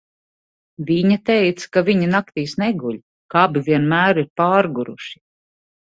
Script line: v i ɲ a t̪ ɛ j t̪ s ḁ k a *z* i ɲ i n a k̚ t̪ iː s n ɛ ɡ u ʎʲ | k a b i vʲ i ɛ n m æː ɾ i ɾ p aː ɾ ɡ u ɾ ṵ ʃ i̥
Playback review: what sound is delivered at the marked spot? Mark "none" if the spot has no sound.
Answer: v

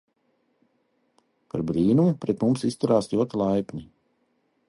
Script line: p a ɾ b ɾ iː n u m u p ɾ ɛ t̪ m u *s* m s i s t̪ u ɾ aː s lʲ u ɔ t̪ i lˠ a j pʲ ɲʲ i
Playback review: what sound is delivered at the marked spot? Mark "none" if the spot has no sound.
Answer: none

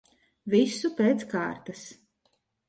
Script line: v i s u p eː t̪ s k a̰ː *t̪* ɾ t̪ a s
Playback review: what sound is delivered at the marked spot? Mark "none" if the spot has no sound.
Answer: none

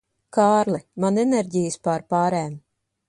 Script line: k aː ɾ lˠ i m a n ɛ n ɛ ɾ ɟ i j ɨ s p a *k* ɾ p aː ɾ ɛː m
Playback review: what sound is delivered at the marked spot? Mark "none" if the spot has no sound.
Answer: none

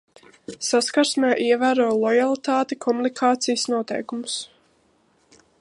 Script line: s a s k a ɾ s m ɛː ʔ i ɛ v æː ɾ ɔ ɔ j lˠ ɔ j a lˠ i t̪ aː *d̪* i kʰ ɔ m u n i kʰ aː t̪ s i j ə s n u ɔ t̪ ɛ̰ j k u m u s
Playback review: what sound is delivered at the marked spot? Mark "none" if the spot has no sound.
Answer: t̪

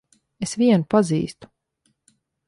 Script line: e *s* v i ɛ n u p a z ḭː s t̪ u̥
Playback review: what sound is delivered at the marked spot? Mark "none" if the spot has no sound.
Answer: s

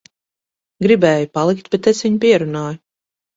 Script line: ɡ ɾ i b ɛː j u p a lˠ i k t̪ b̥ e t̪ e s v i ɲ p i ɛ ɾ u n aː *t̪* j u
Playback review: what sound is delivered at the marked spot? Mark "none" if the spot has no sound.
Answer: none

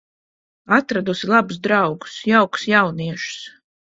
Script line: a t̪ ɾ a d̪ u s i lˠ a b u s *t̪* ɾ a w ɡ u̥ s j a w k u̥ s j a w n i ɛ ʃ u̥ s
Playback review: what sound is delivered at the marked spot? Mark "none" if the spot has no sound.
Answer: d̪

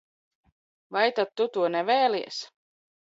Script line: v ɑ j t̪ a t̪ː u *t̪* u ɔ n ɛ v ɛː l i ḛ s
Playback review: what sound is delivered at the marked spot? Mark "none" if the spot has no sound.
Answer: t̪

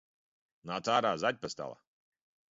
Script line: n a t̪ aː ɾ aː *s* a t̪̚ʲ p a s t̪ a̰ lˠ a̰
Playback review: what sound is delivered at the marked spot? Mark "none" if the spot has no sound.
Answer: z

